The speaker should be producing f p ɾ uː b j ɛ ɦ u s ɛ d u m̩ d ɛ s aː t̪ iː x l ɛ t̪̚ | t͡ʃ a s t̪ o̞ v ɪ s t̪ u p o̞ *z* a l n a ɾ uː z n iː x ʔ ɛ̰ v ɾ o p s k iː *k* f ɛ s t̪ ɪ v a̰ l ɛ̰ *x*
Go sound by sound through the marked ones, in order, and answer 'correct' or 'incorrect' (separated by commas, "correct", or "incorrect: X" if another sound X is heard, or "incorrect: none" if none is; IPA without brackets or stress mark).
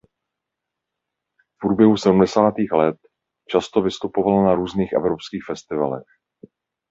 incorrect: v, incorrect: x, correct